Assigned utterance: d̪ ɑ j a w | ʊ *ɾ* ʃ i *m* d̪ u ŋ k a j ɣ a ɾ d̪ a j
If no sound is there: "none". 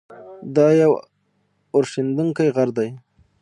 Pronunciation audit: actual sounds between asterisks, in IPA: ɾ, n

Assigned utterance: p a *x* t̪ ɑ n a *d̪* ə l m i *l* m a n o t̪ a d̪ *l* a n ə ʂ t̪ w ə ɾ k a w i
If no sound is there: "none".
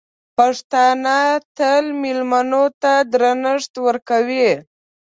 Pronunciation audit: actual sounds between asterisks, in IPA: ʂ, t̪, l, ɾ

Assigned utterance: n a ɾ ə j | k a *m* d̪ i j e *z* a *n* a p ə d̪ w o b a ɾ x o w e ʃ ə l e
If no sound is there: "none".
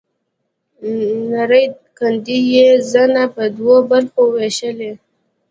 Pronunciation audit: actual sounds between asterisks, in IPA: n, z, n

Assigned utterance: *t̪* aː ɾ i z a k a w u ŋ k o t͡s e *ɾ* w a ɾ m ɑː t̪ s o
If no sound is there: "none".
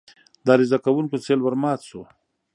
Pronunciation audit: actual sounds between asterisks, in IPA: d̪, l

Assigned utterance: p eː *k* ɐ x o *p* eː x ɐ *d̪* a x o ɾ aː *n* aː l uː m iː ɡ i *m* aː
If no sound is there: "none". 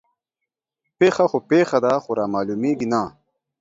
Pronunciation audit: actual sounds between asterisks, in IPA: x, p, d̪, m, n

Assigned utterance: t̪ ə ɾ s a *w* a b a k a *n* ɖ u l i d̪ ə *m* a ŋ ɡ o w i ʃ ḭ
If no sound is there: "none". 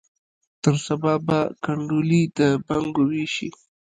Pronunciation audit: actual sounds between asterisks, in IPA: b, ɳ, b

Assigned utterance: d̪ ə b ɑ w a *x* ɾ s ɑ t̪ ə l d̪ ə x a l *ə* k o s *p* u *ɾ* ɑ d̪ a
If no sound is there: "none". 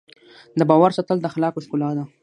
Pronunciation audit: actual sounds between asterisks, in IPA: none, ɑ, k, l

